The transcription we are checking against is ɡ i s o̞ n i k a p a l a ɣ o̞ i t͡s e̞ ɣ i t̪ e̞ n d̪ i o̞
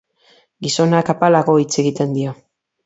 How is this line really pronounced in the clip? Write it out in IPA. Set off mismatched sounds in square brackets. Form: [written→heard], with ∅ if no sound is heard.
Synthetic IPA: ɡ i s o̞ n [i→a] k a p a l a ɣ o̞ i t͡s e̞ ɣ i t̪ e̞ n d̪ i o̞